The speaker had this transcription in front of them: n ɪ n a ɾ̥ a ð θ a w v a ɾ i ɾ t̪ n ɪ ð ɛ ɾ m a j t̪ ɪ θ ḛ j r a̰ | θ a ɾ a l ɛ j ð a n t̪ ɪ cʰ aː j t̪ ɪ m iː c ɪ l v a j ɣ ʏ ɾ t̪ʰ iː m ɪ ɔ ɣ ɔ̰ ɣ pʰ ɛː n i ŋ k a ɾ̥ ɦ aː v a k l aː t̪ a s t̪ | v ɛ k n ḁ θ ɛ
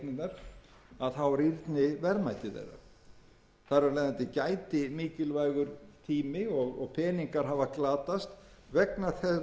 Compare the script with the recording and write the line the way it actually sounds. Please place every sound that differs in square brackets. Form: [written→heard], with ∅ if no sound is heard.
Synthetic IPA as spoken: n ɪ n a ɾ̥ a ð θ a w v a ɾ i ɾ t̪ n ɪ [ð→v] ɛ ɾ m a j t̪ ɪ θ ḛ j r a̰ | θ a ɾ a l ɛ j ð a n t̪ ɪ [cʰ→c] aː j t̪ ɪ m iː c ɪ l v a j ɣ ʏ ɾ t̪ʰ iː m ɪ ɔ ɣ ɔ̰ ɣ pʰ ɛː n i ŋ k a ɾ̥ ɦ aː v a k l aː t̪ a s t̪ | v ɛ k n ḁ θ ɛ